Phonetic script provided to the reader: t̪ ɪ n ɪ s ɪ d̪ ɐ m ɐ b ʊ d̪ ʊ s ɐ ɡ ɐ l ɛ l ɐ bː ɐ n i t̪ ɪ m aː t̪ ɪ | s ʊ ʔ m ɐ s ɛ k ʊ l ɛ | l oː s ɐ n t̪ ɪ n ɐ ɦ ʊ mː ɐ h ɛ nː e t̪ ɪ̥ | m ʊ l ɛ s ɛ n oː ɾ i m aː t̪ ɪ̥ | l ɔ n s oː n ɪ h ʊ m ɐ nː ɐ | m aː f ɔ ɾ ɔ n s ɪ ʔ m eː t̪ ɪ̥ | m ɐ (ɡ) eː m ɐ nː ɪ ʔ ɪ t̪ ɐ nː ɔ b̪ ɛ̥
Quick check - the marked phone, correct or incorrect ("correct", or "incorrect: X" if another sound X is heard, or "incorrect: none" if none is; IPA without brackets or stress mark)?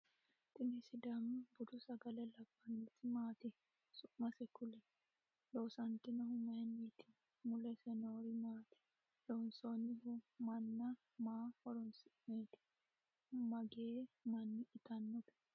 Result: correct